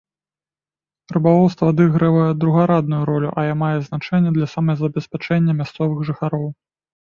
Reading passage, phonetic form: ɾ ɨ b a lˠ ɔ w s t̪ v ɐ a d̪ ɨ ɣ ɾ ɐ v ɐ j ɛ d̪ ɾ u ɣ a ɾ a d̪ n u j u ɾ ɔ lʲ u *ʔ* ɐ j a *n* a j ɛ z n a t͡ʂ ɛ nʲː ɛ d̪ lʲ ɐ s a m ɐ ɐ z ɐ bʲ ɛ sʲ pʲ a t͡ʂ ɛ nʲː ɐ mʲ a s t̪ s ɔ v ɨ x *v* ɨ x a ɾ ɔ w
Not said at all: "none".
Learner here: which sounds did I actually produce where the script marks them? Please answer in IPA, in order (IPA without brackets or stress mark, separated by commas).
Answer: ʔ, m, ʐ